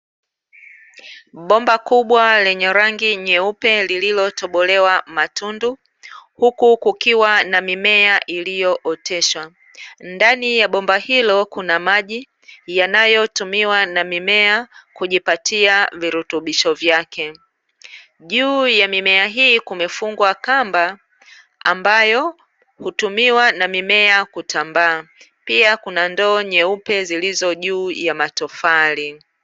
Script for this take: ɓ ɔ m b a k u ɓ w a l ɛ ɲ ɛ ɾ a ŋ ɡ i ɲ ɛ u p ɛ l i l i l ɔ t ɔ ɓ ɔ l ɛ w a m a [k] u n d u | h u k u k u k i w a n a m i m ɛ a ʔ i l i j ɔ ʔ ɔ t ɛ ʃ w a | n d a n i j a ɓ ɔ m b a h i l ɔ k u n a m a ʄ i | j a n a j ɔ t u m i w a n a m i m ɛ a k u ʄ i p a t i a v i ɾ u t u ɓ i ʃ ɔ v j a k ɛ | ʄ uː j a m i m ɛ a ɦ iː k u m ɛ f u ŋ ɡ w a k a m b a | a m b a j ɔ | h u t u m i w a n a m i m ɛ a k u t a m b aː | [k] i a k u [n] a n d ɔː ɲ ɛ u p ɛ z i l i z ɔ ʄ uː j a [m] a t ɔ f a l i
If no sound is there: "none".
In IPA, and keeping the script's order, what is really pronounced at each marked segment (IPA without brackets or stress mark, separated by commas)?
t, p, n, m